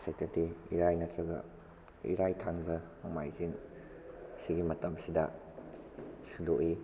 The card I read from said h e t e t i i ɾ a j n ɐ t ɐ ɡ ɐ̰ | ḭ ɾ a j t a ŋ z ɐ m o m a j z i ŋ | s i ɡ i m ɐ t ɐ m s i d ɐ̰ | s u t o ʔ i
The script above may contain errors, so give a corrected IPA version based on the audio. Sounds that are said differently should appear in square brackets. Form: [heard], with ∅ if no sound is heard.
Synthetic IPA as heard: [s] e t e t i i ɾ a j n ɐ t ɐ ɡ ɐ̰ | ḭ ɾ a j [tʰ] a ŋ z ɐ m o m a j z i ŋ | s i ɡ i m ɐ t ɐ m s i d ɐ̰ | s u [d] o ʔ i